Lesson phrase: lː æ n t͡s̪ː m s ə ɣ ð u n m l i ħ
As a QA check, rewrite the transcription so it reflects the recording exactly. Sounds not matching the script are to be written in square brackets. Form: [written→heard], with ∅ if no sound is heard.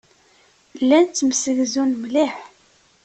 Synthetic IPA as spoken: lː æ n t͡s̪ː m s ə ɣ [ð→z] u n m l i ħ